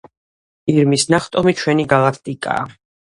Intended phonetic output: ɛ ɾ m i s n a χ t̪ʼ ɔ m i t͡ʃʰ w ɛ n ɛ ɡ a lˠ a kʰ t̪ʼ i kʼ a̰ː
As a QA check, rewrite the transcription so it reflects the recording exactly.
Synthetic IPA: i ɾ m i s n a χ t̪ʼ ɔ m i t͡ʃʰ w ɛ n i ɡ a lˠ a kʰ t̪ʼ i kʼ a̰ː